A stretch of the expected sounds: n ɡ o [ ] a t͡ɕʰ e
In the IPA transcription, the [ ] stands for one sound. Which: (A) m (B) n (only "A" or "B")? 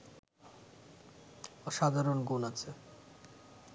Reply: B